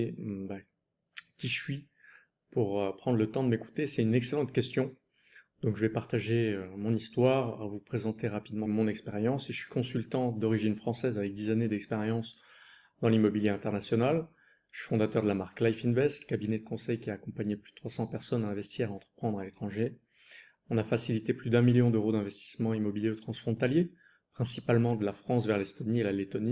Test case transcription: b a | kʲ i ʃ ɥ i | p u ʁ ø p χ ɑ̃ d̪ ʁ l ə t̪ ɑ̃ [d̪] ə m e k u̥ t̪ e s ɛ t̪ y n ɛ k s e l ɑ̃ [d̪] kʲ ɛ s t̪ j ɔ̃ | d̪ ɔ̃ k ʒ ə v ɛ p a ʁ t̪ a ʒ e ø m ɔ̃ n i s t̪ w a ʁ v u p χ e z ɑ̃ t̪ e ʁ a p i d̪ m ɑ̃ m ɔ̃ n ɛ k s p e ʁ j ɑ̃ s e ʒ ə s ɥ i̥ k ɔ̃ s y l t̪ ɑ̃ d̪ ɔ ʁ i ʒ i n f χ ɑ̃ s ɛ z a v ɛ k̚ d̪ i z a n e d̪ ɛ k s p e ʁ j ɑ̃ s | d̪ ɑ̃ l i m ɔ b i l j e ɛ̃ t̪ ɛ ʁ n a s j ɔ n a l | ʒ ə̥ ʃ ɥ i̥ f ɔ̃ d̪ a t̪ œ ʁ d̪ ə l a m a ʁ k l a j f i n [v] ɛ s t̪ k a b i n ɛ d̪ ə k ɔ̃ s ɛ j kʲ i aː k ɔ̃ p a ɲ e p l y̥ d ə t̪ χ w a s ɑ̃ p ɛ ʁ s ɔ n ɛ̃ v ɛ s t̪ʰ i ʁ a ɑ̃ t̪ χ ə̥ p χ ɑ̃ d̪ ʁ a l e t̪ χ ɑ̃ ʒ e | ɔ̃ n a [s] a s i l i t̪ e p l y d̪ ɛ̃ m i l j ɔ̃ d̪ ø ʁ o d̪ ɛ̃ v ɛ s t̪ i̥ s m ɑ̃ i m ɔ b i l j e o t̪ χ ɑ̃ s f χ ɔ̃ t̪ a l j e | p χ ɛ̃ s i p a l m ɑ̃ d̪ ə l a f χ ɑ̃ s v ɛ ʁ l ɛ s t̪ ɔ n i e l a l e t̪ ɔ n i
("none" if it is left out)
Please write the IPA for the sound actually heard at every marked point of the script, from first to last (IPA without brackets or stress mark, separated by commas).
d̪, t̪, v, f